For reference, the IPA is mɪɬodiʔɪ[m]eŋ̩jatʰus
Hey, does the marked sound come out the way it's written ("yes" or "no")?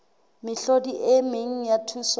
yes